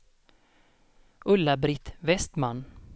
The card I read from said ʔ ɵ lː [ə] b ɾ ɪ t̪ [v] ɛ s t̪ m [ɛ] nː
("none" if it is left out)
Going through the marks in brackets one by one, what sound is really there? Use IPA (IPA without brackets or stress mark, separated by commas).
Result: a, v, a